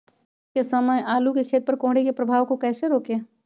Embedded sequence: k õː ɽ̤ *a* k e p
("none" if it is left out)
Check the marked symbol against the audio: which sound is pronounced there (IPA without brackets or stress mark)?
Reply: e